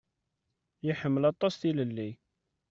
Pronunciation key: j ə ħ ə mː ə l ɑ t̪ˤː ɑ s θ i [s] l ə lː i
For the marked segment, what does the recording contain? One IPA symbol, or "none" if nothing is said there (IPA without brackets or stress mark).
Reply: none